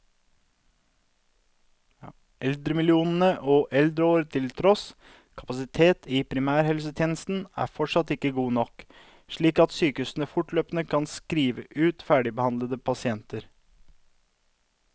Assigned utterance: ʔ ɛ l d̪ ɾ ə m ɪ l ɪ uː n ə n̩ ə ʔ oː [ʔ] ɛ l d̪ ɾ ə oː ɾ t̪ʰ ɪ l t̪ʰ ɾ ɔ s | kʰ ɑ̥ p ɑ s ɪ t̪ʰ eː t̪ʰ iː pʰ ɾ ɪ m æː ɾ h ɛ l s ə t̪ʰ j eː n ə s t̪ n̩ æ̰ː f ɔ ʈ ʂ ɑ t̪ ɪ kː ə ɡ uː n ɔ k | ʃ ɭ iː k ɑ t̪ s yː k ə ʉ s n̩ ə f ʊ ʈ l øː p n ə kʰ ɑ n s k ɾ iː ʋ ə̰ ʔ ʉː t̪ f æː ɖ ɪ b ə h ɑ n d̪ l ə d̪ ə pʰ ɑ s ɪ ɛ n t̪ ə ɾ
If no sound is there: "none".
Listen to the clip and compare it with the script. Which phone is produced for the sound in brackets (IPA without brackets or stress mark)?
ʔ